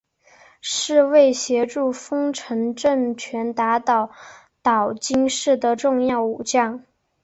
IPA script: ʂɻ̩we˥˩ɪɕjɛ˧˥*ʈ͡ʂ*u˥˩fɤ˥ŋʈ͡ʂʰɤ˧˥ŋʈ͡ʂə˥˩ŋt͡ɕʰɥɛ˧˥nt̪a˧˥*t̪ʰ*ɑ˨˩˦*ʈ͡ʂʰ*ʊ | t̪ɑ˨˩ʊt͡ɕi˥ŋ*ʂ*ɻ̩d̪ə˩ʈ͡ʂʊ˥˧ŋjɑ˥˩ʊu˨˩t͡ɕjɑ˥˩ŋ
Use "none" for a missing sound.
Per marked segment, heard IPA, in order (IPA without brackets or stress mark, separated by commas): ʈ͡ʂ, t̪, none, ʂ